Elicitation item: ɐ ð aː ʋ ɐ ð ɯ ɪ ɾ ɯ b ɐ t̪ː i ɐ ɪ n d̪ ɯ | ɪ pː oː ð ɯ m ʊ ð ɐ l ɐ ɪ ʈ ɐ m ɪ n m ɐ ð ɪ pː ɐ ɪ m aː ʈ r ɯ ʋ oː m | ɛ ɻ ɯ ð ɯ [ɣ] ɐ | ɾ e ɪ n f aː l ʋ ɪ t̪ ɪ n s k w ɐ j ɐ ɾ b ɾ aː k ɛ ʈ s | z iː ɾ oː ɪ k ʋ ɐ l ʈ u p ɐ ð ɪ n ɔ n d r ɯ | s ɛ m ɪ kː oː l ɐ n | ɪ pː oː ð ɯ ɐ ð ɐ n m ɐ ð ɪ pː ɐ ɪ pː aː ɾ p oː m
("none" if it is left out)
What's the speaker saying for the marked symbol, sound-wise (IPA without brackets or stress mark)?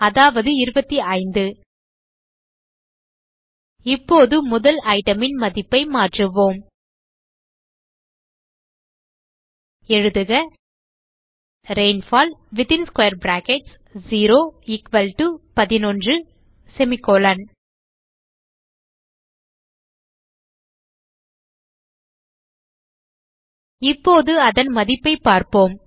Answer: ɣ